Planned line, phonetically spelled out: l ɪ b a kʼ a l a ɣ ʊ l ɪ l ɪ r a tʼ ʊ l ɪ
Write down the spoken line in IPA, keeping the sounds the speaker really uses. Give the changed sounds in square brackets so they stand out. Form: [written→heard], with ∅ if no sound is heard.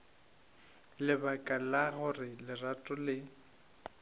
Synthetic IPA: l ɪ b a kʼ a l a ɣ ʊ [l→r] ɪ l ɪ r a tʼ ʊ l ɪ